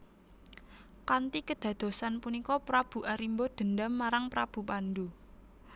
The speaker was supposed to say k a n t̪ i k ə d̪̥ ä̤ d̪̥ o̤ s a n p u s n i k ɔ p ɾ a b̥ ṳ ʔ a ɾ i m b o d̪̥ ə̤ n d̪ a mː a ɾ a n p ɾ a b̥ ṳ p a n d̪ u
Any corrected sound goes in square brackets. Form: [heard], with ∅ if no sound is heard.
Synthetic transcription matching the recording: k a n t̪ i k ə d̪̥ ä̤ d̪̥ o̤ s a n p u [∅] n i k ɔ p ɾ a b̥ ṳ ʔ a ɾ i m b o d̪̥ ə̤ n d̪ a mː a ɾ a [ŋ] p ɾ a b̥ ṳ p a n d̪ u